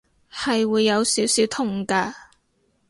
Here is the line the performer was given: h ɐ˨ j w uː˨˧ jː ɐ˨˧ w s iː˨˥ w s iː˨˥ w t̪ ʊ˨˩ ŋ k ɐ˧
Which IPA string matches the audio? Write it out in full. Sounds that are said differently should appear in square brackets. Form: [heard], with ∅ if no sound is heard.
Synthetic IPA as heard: h ɐ˨ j w uː˨˧ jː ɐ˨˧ w s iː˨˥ w s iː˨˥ w [t̪ʰ] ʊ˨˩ ŋ k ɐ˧